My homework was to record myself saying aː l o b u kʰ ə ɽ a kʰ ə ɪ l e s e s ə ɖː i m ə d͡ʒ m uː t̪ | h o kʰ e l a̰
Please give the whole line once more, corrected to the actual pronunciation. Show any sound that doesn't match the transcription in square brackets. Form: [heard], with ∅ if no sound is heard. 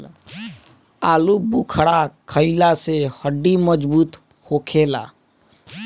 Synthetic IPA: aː l [u] b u kʰ ə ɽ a kʰ ə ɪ l [a] s e [h] ə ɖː i m ə d͡ʒ [b] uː t̪ | h o kʰ e l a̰

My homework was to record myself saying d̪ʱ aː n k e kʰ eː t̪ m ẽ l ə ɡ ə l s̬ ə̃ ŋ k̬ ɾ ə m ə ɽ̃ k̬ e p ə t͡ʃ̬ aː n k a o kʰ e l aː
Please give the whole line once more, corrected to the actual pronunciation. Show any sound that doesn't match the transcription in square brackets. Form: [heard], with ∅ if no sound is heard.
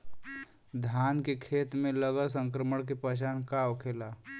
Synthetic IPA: d̪ʱ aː n k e kʰ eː t̪ m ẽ l ə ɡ ə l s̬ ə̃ ŋ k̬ ɾ ə m ə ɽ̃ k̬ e p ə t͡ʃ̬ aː n k a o kʰ e l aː

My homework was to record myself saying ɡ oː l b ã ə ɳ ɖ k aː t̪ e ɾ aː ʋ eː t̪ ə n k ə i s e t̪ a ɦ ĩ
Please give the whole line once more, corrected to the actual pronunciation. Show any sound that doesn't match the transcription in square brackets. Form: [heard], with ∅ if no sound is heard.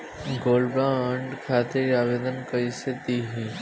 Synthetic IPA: ɡ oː l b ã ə ɳ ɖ [kʰ] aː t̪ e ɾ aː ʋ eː [d̪] ə n k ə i s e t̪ [i] ɦ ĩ

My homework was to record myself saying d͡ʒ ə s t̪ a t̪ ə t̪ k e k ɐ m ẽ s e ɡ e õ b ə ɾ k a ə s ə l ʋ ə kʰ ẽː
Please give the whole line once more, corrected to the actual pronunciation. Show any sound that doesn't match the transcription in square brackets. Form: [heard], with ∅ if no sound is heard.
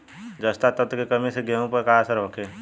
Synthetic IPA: d͡ʒ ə s t̪ a t̪ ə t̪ k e k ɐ m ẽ s e ɡ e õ [p] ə ɾ k a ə s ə [ɾ] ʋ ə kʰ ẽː

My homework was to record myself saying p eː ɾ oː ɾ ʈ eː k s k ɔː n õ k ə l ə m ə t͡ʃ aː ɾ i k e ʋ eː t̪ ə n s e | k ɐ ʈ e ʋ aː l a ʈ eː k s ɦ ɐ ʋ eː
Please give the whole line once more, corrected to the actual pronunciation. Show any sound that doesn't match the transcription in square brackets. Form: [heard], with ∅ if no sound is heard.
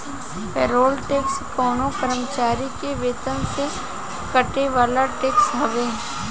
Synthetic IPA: p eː ɾ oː [l] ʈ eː k s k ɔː n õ k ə [ɾ] ə m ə t͡ʃ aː ɾ i k e ʋ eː t̪ ə n s e | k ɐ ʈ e ʋ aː l a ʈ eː k s ɦ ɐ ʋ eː

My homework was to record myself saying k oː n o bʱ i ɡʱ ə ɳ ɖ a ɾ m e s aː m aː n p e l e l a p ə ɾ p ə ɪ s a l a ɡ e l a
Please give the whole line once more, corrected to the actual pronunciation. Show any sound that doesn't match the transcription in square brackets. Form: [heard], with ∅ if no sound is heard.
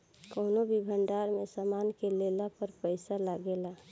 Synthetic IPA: k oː n o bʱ i [bʱ] ə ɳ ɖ a ɾ m e s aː m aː n [k] e l e l a p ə ɾ p ə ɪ s a l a ɡ e l a

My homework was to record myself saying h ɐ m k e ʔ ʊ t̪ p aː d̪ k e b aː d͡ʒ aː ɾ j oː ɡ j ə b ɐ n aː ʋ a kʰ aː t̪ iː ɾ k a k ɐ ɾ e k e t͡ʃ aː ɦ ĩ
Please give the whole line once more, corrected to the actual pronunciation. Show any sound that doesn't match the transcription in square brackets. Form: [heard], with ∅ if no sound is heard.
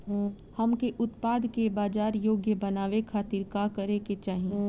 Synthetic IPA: h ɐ m k e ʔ ʊ t̪ p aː d̪ k e b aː d͡ʒ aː ɾ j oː ɡ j ə b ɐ n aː ʋ [e] kʰ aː t̪ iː ɾ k a k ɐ ɾ e k e t͡ʃ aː ɦ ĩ

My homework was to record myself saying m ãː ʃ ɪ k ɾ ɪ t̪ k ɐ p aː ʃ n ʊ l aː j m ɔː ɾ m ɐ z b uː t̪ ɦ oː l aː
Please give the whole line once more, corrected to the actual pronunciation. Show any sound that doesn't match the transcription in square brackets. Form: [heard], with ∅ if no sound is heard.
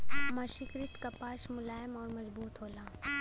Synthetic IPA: m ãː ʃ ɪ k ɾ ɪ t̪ k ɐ p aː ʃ [m] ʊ l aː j m ɔː ɾ m ɐ z b uː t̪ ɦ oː l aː

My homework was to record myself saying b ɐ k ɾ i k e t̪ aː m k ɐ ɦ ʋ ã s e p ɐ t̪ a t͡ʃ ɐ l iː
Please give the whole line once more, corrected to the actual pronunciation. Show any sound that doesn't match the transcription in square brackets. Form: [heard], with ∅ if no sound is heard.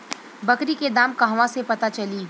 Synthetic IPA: b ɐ k ɾ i k e [d̪] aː m k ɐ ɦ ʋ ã s e p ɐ t̪ a t͡ʃ ɐ l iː

